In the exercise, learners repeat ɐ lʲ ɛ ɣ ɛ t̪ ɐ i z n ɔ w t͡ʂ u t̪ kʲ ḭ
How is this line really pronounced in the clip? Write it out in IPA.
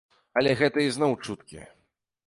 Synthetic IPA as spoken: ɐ lʲ ɛ ɣ ɛ t̪ ɐ i z n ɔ w t͡ʂ u t̪ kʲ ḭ